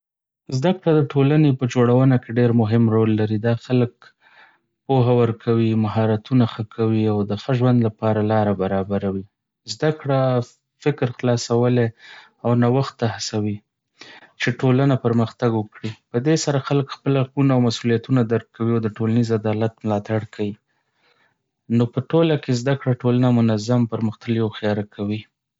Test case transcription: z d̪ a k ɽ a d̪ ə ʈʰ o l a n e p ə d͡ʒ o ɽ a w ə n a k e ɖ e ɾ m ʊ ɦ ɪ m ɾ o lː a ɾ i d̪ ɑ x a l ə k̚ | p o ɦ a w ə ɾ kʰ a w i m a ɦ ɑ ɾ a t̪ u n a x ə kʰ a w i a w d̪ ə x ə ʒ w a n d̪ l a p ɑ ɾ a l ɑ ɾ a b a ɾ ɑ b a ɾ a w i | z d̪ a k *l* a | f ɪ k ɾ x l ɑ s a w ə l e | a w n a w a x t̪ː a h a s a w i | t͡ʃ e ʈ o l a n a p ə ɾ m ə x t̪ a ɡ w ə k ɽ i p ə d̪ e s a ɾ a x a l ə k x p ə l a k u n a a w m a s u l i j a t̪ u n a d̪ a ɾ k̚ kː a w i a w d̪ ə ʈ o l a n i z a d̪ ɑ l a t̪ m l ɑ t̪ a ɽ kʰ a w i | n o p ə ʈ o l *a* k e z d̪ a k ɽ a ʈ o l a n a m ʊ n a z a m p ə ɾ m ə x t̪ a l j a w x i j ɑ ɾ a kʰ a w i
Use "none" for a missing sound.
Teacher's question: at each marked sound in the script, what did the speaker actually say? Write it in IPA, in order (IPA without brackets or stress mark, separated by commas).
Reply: ɽ, a